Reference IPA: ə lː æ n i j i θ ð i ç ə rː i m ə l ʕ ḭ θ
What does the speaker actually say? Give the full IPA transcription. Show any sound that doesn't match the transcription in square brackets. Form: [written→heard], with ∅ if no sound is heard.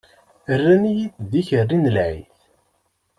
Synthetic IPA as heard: ə [lː→rː] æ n i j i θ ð i ç ə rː i [m→n] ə l ʕ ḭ θ